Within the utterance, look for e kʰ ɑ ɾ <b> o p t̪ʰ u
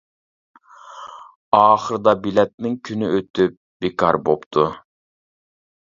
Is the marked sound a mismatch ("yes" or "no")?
no